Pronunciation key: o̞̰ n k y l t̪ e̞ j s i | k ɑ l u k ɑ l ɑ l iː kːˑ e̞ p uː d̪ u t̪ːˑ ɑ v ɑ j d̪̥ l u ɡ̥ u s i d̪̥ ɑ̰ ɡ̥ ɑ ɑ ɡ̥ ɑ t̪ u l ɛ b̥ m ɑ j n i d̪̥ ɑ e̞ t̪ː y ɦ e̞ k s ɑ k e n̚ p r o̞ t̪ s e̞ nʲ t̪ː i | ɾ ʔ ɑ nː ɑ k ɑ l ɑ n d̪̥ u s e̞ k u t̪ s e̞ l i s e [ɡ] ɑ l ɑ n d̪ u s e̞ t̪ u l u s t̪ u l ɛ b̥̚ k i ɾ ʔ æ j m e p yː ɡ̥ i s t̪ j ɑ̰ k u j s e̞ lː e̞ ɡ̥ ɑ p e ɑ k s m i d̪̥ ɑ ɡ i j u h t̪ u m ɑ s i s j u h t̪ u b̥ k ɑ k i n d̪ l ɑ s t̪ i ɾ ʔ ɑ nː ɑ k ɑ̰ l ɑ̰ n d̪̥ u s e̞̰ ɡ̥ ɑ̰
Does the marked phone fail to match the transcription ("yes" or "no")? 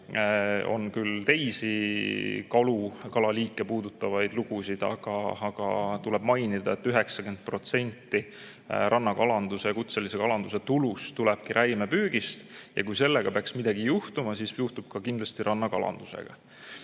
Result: yes